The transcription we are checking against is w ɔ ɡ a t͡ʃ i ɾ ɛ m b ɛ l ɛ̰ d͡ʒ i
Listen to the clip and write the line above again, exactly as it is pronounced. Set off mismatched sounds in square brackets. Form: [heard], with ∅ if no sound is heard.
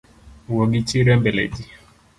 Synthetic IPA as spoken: w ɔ ɡ [i] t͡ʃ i ɾ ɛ m b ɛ l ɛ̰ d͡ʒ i

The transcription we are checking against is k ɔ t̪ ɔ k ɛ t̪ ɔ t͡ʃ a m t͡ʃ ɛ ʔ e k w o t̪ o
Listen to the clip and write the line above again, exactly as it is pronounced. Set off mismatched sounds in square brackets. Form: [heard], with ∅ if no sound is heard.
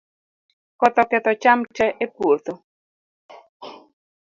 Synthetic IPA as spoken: k ɔ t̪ ɔ k ɛ t̪ ɔ t͡ʃ a m t͡ʃ ɛ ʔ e [p] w o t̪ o

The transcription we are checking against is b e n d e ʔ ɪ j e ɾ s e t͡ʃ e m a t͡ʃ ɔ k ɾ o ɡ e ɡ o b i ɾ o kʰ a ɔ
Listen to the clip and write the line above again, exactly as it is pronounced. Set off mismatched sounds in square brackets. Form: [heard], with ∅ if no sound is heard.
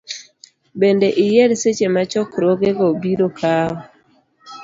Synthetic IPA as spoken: b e n d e ʔ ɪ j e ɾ s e t͡ʃ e m a t͡ʃ ɔ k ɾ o ɡ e ɡ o b i ɾ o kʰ a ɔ

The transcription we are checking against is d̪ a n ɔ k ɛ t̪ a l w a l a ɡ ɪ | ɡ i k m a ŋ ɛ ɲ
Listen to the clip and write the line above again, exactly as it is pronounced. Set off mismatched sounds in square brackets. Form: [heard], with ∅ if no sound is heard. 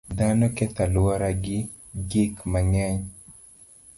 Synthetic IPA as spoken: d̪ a n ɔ k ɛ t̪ a l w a [ɾ] a ɡ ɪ | ɡ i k m a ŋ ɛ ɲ

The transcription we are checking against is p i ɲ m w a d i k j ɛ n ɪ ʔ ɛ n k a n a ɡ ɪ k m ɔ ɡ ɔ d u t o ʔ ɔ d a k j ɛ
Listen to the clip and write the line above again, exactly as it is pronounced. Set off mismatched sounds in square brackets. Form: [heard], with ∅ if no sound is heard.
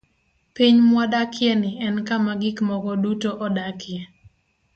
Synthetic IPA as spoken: p i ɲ m w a d [a] k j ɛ n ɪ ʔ ɛ n k a [m] a ɡ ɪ k m ɔ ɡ ɔ d u t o ʔ ɔ d a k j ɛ

